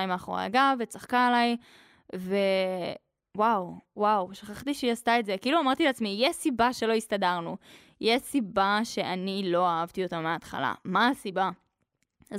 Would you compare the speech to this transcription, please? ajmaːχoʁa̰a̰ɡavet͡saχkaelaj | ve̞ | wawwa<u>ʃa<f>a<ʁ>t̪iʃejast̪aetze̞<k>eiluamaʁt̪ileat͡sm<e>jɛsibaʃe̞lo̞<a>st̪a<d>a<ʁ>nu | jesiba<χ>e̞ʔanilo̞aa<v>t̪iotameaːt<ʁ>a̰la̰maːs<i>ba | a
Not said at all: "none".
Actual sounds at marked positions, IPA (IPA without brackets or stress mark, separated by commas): w, χ, χ, k, i, i, d, ʁ, ʃ, v, χ, i